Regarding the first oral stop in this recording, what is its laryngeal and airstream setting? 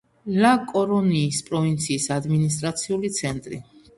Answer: ejective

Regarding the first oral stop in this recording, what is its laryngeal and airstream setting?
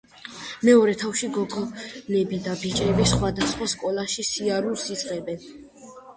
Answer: aspirated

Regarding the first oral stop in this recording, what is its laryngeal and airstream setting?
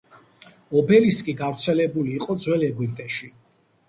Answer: plain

